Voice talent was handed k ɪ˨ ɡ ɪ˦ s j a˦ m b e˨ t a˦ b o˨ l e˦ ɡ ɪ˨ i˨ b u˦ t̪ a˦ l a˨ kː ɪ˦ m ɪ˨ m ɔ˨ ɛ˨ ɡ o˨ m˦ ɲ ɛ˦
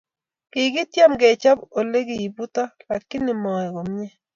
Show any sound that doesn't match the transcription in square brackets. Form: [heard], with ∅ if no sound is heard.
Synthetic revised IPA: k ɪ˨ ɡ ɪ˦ [t] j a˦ m [ɡ] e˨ [t͡ʃ] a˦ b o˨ l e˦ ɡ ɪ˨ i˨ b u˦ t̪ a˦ l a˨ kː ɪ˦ [n] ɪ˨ m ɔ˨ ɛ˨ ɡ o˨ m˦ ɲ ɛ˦